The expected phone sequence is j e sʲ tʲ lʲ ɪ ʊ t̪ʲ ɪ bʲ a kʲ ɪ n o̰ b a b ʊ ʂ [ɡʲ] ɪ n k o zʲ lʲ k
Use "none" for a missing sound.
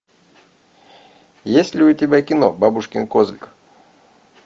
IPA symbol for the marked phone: kʲ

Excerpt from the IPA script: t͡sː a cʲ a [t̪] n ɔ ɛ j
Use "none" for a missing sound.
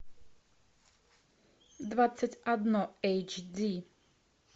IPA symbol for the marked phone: d̪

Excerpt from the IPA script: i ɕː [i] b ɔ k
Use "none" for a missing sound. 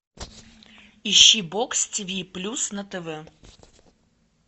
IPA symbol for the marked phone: i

